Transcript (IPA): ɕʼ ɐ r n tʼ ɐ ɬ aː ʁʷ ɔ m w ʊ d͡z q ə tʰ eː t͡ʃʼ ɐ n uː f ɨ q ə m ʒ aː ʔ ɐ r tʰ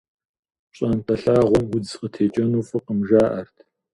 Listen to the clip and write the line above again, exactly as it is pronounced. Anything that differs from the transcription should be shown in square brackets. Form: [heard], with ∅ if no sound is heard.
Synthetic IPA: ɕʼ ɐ [∅] n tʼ ɐ ɬ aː ʁʷ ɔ m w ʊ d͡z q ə tʰ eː t͡ʃʼ ɐ n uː f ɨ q ə m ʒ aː ʔ ɐ r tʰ